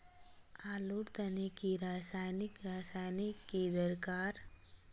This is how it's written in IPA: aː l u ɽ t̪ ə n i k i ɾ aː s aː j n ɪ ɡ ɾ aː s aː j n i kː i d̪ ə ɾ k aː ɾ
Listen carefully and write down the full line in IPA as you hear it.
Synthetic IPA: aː l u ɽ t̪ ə n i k i ɾ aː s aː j n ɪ k ɾ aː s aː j n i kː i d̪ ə ɾ k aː ɾ